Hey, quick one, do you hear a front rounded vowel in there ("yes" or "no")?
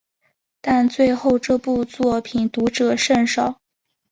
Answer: no